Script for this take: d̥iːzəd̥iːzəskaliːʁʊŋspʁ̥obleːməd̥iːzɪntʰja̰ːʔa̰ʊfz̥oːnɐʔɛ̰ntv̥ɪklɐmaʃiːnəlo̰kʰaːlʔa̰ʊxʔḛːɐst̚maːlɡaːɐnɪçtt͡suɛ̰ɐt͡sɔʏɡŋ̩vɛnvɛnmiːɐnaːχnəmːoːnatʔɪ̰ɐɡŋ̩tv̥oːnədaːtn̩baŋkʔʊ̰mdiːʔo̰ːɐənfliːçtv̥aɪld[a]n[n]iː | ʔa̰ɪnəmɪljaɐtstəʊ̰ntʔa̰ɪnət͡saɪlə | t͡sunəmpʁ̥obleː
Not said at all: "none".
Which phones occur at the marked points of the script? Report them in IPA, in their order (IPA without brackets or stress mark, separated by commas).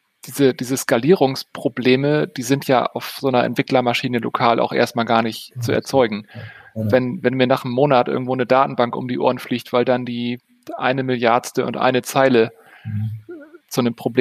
a, d